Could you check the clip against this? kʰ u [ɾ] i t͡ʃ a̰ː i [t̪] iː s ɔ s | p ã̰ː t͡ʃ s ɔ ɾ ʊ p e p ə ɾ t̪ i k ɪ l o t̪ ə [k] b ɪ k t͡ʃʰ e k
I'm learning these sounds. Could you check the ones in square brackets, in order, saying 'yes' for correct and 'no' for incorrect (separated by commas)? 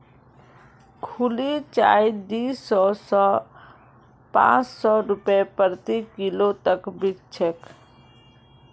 no, no, yes